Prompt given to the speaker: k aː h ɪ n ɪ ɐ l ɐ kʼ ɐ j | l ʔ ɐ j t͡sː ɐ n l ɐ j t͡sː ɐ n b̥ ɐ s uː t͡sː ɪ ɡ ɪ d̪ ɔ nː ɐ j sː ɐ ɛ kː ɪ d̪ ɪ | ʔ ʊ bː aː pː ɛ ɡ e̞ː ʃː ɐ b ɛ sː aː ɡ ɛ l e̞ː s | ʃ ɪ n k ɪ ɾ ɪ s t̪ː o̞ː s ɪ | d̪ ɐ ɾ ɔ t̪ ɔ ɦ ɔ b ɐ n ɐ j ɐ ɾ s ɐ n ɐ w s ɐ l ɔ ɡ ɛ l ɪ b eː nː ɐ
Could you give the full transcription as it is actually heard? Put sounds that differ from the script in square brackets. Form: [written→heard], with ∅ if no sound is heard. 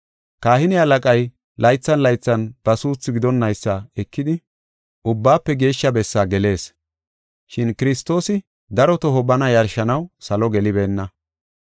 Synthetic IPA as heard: k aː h ɪ n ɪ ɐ l ɐ kʼ ɐ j | l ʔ ɐ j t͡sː ɐ n l ɐ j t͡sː ɐ n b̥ ɐ s uː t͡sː ɪ ɡ ɪ d̪ ɔ nː ɐ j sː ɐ ɛ kː ɪ d̪ ɪ | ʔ ʊ bː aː pː ɛ ɡ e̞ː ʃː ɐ b ɛ sː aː ɡ ɛ l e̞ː s | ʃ ɪ n k ɪ ɾ ɪ s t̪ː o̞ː s ɪ | d̪ ɐ ɾ ɔ t̪ ɔ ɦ ɔ b ɐ n ɐ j ɐ ɾ [s→ʃ] ɐ n ɐ w s ɐ l ɔ ɡ ɛ l ɪ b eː nː ɐ